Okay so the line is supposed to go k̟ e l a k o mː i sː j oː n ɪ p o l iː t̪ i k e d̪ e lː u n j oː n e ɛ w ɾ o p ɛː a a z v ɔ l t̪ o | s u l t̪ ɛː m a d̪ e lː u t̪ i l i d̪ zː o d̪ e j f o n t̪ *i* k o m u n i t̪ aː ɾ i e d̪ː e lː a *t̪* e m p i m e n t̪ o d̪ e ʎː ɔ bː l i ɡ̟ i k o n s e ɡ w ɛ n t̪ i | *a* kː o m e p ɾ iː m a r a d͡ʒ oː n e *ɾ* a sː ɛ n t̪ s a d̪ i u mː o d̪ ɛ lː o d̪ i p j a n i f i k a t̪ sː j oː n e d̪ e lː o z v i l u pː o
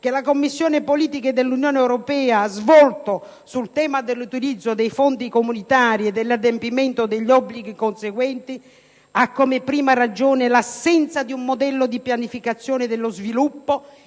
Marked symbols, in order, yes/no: yes, no, yes, no

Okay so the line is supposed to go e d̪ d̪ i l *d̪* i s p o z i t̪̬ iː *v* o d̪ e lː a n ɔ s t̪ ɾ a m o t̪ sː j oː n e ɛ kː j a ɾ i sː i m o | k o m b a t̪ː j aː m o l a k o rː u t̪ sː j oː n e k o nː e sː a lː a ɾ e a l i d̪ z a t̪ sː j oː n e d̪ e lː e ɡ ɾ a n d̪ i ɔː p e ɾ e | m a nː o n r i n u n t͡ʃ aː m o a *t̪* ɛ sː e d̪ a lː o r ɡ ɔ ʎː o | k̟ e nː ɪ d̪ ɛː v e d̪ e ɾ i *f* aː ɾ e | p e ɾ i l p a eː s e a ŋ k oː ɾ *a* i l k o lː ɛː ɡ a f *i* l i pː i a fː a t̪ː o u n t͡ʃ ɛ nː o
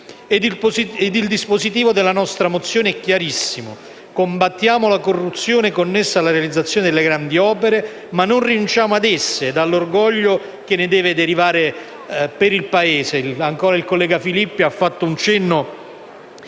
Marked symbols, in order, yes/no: yes, yes, no, no, yes, yes

